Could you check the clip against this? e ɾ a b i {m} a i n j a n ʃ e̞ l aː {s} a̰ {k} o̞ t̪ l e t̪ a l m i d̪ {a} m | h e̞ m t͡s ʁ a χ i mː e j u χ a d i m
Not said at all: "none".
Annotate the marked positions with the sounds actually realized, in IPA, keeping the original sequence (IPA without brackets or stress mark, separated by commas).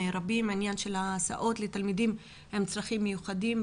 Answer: m, s, ʔ, i